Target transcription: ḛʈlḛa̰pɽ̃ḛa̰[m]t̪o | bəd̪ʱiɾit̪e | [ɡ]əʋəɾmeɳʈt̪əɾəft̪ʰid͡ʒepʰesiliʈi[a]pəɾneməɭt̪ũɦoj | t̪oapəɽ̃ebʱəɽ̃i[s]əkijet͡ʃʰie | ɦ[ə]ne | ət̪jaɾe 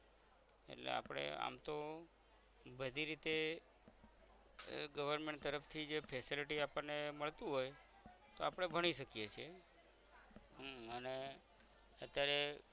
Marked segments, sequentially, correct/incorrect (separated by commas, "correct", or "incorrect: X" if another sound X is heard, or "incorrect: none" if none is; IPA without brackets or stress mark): correct, correct, correct, incorrect: ʃ, correct